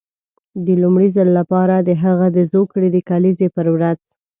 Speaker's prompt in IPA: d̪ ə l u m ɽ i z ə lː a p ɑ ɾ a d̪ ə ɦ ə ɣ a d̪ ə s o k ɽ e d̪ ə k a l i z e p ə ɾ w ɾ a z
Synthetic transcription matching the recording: d̪ ə l u m ɽ i z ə lː a p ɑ ɾ a d̪ ə ɦ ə ɣ a d̪ ə z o k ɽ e d̪ ə k a l i z e p ə ɾ w ɾ a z